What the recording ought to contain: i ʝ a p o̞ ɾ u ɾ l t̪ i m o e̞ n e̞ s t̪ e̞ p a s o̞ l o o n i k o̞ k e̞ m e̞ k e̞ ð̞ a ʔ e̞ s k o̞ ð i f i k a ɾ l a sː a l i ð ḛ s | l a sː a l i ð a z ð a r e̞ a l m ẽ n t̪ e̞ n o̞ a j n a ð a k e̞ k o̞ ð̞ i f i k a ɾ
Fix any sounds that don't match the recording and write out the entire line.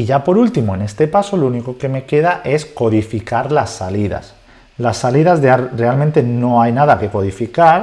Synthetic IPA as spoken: i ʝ a p o̞ ɾ u l t̪ i m o e̞ n e̞ s t̪ e̞ p a s o̞ l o u n i k o̞ k e̞ m e̞ k e̞ ð̞ a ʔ e̞ s k o̞ ð i f i k a ɾ l a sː a l i ð a̰ s | l a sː a l i ð a z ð a r e̞ a l m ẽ n t̪ e̞ n o̞ a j n a ð a k e̞ k o̞ ð̞ i f i k a ɾ